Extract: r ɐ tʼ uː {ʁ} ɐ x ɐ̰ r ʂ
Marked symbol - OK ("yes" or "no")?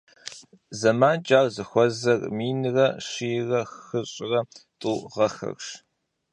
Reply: yes